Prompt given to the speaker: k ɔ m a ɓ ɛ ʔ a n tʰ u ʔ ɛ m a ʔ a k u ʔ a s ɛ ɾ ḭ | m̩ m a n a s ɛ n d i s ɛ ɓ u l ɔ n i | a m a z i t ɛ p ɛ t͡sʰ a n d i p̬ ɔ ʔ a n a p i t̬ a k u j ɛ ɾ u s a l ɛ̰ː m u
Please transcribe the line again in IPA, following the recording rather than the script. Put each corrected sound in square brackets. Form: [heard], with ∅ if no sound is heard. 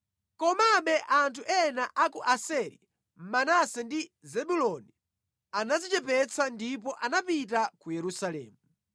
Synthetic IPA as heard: k ɔ m a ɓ ɛ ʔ a n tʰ u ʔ ɛ [n] a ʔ a k u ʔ a s ɛ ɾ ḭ | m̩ m a n a s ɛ n d i [z] ɛ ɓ u l ɔ n i | a [n] a z i [t͡ʃ] ɛ p ɛ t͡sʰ a n d i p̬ ɔ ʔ a n a p i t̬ a k u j ɛ ɾ u s a l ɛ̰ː m u